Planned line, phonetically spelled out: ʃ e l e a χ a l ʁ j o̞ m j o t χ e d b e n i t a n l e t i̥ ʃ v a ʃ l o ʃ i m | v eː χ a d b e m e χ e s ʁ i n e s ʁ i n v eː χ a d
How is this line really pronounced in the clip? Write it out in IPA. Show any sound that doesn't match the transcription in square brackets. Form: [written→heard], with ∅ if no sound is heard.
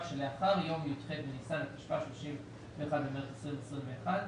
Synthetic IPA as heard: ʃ e l e a χ a [l→∅] ʁ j o̞ m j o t χ e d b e n i [t→s] a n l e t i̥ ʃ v a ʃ l o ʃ i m | v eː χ a d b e m e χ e s ʁ i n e s ʁ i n v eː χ a d